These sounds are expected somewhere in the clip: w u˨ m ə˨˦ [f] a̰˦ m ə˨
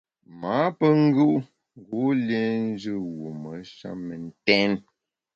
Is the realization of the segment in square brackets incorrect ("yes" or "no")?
yes